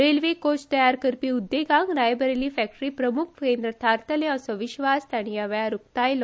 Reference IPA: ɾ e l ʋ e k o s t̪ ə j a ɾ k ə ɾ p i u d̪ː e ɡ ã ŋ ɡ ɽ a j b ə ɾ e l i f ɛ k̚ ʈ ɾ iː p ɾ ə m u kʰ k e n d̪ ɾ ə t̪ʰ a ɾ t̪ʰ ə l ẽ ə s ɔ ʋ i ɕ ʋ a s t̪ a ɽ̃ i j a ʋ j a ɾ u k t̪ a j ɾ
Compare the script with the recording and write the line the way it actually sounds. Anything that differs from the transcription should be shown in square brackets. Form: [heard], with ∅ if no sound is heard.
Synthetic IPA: ɾ e l ʋ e k o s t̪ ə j a ɾ k ə ɾ p i u d̪ː e ɡ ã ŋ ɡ [ɾ] a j b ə ɾ e l i f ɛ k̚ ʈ ɾ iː p ɾ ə m u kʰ k e n d̪ ɾ ə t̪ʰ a ɾ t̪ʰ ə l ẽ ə s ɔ ʋ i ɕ ʋ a s t̪ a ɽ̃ i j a ʋ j a ɾ u k t̪ a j [l]